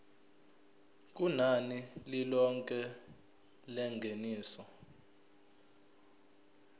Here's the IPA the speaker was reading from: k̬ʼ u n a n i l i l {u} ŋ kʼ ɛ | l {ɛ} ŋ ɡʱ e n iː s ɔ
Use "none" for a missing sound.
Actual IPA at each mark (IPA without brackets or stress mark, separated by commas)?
ɔ, ɛ